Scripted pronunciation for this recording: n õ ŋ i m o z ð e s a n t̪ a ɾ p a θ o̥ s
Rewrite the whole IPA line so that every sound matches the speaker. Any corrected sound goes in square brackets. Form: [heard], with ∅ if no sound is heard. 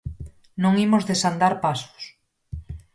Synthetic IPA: n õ ŋ i m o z ð e s a n [d̪] a ɾ p a [s] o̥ s